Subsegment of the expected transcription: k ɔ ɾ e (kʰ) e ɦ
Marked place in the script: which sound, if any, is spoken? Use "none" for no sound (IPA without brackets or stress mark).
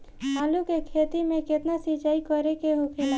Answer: k